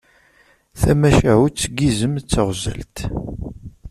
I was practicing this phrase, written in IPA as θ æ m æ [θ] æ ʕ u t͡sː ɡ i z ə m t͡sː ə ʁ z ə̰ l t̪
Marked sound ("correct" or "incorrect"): incorrect